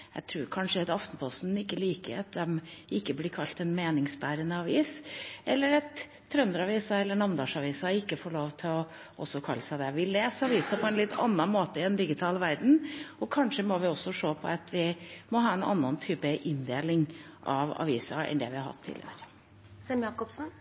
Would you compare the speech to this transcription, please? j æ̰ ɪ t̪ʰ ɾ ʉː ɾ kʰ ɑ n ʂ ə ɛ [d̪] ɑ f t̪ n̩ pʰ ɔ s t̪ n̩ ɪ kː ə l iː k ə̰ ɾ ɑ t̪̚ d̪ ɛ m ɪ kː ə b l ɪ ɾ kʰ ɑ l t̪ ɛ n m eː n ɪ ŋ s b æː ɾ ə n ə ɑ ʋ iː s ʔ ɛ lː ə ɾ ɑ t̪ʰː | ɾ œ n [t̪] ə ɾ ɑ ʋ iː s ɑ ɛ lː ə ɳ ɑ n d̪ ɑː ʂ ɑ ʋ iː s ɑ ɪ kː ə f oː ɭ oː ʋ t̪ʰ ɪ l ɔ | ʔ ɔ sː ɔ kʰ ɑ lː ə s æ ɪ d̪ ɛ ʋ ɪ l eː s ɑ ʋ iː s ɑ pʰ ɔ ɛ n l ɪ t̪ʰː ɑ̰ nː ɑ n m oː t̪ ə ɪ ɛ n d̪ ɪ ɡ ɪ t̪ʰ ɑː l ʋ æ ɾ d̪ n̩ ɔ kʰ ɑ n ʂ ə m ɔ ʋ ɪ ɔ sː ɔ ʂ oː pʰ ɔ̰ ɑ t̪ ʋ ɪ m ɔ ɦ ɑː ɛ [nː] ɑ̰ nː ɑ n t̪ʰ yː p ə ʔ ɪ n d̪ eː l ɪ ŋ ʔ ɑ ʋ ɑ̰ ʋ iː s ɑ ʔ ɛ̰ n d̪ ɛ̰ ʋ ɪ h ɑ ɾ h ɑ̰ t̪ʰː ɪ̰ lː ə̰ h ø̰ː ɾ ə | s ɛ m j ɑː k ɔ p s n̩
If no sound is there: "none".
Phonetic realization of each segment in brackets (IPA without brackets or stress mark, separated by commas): t̪, d̪, n